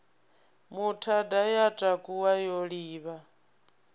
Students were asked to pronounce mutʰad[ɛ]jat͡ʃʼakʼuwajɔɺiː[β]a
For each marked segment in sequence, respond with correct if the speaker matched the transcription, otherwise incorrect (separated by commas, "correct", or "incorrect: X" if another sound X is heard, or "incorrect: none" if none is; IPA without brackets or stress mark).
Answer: incorrect: a, correct